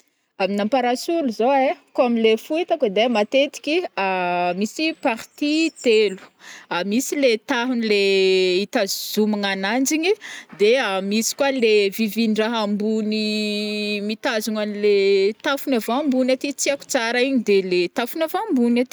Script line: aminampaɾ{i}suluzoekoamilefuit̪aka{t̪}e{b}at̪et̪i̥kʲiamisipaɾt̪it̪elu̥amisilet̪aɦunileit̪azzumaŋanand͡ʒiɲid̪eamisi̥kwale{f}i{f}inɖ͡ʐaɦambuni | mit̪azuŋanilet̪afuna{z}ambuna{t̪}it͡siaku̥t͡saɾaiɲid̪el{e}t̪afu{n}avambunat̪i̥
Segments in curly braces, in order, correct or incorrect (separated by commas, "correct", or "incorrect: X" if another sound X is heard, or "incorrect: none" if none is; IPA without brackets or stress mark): incorrect: a, incorrect: d̪, incorrect: m, incorrect: v, incorrect: v, incorrect: v, correct, correct, correct